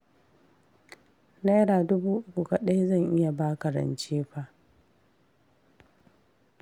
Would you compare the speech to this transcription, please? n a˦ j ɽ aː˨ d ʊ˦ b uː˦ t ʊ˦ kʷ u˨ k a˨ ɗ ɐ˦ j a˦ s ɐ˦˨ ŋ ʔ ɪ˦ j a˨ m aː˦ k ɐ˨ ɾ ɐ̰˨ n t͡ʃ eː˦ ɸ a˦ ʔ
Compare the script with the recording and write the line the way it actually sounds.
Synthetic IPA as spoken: n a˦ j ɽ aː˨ d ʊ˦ b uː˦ ʔ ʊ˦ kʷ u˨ k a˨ ɗ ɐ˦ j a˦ z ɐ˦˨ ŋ ʔ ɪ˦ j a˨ b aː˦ k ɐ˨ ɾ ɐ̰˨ n t͡ʃ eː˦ ɸ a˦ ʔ